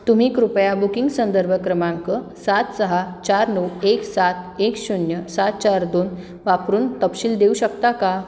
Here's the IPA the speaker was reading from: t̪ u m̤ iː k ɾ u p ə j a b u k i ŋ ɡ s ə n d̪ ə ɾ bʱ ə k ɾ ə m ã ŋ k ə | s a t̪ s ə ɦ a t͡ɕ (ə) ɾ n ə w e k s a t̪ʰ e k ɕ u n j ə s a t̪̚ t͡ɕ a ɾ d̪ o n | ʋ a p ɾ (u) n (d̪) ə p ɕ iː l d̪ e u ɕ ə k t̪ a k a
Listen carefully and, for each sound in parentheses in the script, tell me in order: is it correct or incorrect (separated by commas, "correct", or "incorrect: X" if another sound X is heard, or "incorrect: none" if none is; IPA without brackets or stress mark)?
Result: incorrect: a, incorrect: uː, incorrect: t̪